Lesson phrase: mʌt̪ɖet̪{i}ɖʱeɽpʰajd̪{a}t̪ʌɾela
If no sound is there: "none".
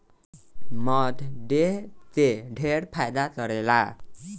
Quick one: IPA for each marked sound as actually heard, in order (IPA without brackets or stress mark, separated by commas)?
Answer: e, a